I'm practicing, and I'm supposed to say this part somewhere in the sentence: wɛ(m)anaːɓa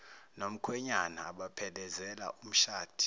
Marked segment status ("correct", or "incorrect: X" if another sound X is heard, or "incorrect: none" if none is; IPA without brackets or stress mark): incorrect: ɲ